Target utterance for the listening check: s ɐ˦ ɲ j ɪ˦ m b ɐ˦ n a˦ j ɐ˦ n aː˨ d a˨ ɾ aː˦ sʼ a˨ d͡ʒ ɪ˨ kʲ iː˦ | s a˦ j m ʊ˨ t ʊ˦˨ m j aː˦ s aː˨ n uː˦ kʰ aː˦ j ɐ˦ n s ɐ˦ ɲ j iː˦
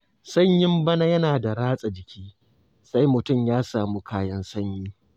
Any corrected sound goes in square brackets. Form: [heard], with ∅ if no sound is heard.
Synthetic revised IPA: s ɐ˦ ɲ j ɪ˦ m b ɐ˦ n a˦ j ɐ˦ n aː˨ d a˨ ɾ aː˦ sʼ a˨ d͡ʒ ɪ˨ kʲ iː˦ | s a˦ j m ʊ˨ t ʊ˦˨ m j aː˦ s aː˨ [m] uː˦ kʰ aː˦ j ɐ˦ n s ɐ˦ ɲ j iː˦